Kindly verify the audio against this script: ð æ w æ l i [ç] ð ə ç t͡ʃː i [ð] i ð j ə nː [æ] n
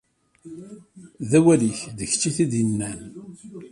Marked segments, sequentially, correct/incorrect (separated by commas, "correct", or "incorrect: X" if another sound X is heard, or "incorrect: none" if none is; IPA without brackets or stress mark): correct, incorrect: θ, correct